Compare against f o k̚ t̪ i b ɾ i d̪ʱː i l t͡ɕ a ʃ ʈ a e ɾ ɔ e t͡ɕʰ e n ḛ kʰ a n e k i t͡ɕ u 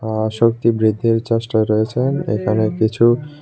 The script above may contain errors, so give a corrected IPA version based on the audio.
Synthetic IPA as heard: ʃ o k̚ t̪ i b ɾ i d̪ʱː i ɾ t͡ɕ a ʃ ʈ a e ɾ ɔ e t͡ɕʰ e n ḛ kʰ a n e k i t͡ɕʰ u